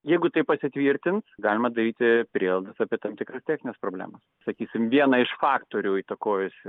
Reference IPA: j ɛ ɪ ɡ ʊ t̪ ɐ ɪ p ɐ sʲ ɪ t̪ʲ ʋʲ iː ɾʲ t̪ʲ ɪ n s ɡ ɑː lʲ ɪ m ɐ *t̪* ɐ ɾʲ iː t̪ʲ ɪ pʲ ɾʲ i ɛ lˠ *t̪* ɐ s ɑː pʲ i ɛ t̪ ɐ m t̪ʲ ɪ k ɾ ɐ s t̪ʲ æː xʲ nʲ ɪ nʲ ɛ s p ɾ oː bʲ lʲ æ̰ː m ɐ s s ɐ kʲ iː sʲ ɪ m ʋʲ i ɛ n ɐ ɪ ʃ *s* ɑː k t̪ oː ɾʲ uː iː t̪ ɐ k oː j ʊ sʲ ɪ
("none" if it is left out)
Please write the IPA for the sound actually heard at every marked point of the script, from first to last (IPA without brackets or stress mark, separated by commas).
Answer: d̪, d̪, f